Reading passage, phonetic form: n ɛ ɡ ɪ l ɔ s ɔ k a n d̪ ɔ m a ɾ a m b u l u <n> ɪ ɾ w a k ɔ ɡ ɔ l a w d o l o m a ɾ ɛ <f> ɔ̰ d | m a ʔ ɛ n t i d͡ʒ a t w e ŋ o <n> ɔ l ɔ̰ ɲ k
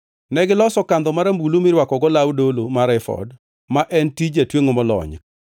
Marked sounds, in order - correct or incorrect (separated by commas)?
incorrect, correct, incorrect